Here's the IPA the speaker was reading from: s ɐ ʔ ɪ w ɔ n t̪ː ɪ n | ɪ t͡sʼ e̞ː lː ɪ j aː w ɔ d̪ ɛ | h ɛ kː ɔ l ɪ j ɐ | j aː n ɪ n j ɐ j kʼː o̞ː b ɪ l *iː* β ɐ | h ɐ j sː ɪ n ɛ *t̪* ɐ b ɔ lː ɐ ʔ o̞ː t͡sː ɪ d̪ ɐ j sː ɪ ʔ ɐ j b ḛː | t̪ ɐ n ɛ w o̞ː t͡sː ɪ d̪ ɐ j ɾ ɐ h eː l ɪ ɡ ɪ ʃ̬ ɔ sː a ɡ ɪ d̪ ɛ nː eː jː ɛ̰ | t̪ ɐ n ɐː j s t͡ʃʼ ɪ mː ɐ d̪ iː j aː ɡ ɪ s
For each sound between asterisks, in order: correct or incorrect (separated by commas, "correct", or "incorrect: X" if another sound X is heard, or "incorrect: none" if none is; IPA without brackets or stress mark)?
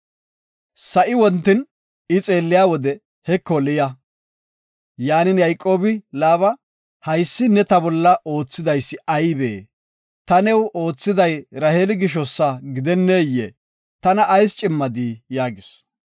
incorrect: aː, correct